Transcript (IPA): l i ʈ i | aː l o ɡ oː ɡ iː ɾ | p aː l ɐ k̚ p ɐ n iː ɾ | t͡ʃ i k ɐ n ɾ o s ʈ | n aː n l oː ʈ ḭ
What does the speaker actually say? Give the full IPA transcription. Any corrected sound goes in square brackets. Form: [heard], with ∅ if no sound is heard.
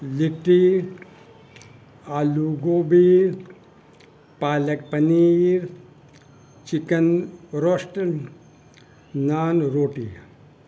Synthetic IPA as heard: l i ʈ i | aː l [u] ɡ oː [b] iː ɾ | p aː l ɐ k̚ p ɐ n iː ɾ | t͡ʃ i k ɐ n ɾ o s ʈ | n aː n [ɾ] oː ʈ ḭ